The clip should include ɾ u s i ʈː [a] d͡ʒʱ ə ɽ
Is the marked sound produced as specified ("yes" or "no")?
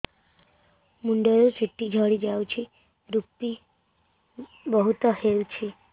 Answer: no